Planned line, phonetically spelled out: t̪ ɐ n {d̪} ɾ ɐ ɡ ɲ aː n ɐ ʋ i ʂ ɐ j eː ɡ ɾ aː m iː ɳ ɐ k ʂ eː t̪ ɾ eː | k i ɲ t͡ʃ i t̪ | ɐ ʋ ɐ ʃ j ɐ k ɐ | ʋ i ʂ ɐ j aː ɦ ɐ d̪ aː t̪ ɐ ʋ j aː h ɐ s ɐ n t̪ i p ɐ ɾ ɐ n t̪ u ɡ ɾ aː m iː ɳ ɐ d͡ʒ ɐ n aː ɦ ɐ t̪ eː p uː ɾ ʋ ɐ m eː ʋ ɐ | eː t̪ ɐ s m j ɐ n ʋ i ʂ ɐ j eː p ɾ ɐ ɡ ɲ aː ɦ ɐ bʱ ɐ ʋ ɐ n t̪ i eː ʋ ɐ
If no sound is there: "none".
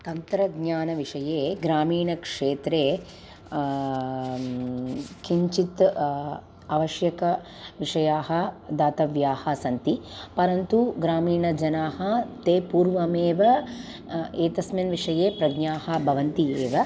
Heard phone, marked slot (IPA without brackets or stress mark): t̪